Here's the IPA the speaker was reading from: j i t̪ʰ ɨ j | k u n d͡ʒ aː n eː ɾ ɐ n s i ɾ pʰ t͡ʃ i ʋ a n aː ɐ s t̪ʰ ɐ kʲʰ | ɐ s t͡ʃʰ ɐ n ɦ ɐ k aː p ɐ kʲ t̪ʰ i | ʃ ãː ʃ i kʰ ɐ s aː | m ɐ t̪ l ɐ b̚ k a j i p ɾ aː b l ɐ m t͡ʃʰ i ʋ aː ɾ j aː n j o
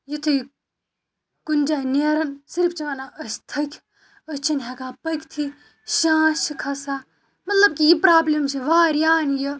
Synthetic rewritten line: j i t̪ʰ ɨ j | k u n d͡ʒ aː n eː ɾ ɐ n s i ɾ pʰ t͡ʃ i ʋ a n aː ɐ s t̪ʰ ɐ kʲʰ | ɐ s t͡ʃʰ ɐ n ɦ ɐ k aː p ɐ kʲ t̪ʰ i | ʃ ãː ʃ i kʰ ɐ s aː | m ɐ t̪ l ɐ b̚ k i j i p ɾ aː b l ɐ m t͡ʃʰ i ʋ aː ɾ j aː n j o